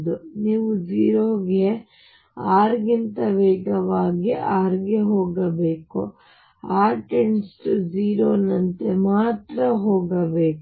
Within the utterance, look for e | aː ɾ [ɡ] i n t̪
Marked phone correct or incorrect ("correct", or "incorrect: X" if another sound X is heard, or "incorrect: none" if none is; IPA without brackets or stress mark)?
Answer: correct